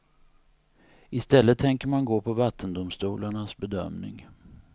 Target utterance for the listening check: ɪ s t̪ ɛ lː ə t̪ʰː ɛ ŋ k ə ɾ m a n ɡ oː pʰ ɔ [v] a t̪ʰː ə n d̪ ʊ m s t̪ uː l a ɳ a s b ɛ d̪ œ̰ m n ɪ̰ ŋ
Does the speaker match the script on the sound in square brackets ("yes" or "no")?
yes